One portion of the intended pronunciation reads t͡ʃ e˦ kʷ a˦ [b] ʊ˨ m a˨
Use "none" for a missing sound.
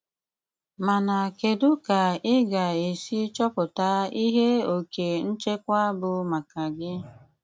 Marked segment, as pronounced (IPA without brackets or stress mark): b